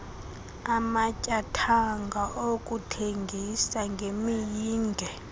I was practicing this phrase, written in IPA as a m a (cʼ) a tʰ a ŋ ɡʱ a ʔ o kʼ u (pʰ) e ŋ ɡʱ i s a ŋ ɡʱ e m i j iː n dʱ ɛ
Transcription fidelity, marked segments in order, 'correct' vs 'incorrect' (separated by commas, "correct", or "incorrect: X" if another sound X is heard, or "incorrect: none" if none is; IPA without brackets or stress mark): correct, incorrect: tʰ